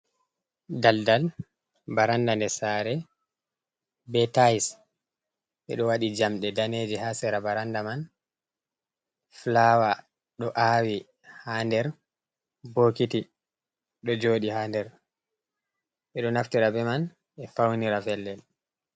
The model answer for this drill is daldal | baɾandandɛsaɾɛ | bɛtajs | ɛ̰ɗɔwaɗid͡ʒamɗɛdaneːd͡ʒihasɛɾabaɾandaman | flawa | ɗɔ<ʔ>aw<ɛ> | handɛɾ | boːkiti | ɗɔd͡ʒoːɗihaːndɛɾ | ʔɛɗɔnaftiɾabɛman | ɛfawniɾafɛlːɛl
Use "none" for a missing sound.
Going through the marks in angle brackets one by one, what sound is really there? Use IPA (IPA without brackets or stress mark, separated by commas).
ʔ, i